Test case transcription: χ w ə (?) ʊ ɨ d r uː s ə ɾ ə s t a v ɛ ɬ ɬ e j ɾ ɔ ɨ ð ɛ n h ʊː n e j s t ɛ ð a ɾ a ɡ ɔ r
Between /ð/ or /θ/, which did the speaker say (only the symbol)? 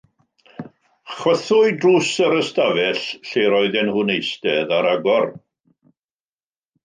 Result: θ